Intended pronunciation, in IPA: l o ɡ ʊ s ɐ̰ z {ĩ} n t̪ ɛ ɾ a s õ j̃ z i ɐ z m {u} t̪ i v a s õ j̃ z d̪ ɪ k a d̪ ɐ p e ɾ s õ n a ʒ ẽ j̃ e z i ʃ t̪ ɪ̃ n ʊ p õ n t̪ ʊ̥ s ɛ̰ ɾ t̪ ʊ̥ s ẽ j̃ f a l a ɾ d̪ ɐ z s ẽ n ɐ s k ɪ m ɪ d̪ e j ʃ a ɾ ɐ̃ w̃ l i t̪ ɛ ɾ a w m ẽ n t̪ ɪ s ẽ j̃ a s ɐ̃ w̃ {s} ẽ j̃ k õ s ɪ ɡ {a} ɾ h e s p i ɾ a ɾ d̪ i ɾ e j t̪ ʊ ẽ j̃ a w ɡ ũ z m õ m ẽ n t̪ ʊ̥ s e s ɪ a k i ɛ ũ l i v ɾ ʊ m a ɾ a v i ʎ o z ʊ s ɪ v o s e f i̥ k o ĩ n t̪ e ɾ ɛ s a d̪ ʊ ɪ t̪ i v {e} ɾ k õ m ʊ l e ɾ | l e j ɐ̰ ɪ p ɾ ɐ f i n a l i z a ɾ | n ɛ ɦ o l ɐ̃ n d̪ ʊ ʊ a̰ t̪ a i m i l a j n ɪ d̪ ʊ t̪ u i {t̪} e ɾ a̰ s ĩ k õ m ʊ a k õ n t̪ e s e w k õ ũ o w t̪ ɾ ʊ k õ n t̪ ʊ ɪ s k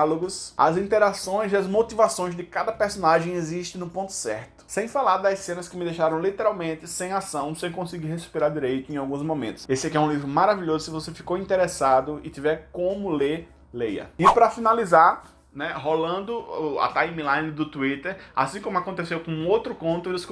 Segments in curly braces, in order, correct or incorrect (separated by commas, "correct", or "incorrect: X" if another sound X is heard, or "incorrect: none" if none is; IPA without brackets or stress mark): correct, incorrect: o, correct, incorrect: i, incorrect: ɛ, correct